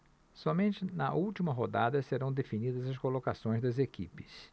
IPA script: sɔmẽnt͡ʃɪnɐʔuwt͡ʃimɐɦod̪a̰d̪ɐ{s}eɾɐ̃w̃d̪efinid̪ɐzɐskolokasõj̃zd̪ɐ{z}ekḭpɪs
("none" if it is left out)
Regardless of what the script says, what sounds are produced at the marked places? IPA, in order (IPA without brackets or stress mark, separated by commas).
s, z